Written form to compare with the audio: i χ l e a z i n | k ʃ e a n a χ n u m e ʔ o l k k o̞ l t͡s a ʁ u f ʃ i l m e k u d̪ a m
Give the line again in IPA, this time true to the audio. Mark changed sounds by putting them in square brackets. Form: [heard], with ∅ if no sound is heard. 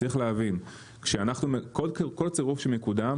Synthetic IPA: i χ l e a [v] i n | k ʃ e a n a χ n u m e [k] o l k k o̞ l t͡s [e] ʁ u f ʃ [e] l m e k u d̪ a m